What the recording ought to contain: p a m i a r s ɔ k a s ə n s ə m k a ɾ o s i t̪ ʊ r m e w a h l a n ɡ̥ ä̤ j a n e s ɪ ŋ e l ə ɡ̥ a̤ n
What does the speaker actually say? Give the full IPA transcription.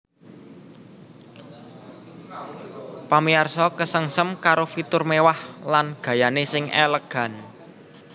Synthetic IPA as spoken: p a m i a r s ɔ k ə s ə ŋ s ə m k a ɾ o f i t̪ ʊ r m e w a h l a n ɡ̥ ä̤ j a n e s ɪ ŋ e l ə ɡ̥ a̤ n